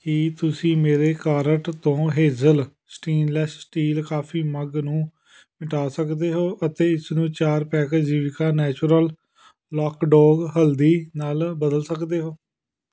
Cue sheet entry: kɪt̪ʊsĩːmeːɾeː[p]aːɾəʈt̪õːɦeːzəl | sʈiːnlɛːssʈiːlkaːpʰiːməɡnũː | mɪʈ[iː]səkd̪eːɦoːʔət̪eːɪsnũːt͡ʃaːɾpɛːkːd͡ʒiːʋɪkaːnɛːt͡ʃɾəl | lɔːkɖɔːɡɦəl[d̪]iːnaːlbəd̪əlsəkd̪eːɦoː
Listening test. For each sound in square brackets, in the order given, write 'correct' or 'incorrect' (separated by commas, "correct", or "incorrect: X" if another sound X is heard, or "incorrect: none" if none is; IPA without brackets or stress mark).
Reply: incorrect: k, incorrect: aː, correct